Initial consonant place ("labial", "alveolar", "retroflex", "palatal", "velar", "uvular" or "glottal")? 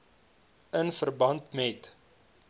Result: alveolar